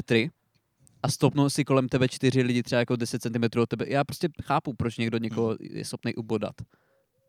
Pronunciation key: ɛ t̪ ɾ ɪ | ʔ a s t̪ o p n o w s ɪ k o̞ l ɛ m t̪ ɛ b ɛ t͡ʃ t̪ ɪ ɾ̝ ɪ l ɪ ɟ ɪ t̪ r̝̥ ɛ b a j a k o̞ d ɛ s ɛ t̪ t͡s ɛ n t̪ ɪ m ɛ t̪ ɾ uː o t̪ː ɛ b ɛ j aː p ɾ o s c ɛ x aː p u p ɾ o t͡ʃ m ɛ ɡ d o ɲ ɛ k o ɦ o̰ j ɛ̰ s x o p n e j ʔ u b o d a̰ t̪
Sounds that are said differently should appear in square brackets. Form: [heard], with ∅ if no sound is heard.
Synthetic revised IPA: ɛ t̪ ɾ ɪ | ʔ a s t̪ o p n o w s ɪ k o̞ l ɛ m t̪ ɛ b ɛ t͡ʃ t̪ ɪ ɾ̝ ɪ l ɪ ɟ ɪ t̪ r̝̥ ɛ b a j a k o̞ d ɛ s ɛ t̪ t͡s ɛ n t̪ ɪ m ɛ t̪ ɾ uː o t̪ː ɛ b ɛ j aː p ɾ o s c ɛ x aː p u p ɾ o t͡ʃ [ɲ] ɛ ɡ d o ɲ ɛ k o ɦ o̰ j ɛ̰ s x o p n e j ʔ u b o d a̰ t̪